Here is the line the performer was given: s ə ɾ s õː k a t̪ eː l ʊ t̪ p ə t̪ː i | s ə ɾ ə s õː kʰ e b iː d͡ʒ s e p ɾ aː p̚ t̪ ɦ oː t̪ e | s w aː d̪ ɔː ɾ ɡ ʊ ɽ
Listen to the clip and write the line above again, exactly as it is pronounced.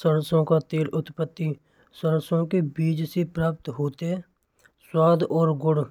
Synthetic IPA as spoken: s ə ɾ s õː k a t̪ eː l ʊ t̪ p ə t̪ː i | s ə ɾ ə s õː k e b iː d͡ʒ s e p ɾ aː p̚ t̪ ɦ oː t̪ e | s w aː d̪ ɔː ɾ ɡ ʊ ɽ

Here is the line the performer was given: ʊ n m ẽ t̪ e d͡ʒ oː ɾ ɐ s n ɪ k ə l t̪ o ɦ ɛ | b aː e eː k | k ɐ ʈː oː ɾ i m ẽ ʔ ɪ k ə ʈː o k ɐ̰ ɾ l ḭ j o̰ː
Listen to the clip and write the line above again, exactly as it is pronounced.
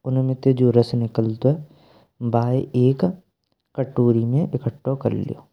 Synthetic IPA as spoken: ʊ n m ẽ t̪ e d͡ʒ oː ɾ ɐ s n ɪ k ə l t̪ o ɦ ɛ | b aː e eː k | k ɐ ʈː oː ɾ i m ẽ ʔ ɪ k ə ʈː o k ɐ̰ ɾ l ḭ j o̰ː

